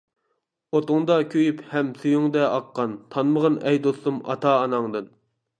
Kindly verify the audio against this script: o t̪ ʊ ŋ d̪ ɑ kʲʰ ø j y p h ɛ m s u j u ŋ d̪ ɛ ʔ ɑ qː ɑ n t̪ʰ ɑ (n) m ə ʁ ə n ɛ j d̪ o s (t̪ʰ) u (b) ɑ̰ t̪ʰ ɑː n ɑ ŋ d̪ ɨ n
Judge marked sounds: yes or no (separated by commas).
yes, no, no